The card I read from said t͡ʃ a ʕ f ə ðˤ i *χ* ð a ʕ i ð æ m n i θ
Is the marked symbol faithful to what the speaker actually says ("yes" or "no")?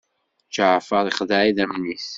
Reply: yes